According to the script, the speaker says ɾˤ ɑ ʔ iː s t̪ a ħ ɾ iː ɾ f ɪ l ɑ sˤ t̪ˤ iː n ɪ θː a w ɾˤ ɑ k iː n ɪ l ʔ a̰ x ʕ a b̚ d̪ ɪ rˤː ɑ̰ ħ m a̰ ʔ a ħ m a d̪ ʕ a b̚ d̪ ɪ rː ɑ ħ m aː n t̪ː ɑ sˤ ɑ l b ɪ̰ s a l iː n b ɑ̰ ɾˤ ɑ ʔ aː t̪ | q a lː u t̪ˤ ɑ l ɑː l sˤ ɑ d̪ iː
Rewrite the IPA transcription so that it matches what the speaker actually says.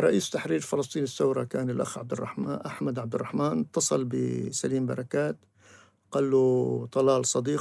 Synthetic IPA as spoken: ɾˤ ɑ ʔ iː s t̪ a ħ ɾ iː ɾ f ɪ l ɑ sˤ t̪ˤ iː n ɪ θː a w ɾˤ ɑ k aː n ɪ l ʔ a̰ x ʕ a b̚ d̪ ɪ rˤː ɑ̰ ħ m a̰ ʔ a ħ m a d̪ ʕ a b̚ d̪ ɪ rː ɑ ħ m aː n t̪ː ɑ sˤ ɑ l b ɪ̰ s a l iː m b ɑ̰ ɾˤ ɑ k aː t̪ | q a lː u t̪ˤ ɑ l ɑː l sˤ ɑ d̪ iː